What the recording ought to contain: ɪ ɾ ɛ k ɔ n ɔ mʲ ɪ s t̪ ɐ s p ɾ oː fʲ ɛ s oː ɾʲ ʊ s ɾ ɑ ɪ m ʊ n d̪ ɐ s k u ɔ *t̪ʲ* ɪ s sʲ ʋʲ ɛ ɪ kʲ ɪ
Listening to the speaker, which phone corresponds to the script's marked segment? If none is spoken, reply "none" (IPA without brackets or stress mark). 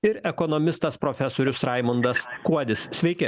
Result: d̪ʲ